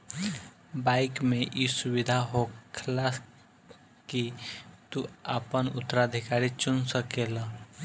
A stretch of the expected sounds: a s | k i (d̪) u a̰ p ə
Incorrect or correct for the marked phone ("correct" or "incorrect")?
incorrect